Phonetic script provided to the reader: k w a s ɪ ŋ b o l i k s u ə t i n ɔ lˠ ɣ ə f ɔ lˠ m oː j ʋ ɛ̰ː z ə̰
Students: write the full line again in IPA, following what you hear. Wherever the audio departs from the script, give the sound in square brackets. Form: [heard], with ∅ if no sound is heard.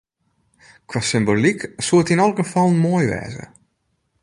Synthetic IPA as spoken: k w a s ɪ [m] b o l i k s u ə t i n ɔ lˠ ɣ ə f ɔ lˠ m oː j ʋ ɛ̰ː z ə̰